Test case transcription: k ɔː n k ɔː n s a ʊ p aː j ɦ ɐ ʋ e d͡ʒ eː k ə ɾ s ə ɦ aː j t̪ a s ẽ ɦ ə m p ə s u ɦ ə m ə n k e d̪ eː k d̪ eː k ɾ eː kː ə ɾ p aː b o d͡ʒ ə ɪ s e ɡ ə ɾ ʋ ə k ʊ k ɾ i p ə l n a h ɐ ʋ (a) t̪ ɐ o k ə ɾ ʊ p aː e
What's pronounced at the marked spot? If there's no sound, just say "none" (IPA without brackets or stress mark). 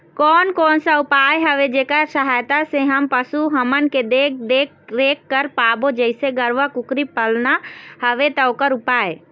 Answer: e